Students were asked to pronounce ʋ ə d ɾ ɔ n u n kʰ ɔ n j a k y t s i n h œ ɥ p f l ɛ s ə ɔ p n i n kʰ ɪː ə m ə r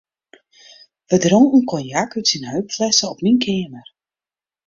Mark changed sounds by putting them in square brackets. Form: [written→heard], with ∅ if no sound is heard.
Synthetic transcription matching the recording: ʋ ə d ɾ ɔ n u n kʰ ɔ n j a k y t s i n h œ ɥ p f l ɛ s ə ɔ p n i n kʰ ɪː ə m ə r